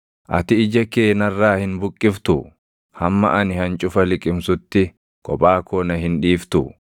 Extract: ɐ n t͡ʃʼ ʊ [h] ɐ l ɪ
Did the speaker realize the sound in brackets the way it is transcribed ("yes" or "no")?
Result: no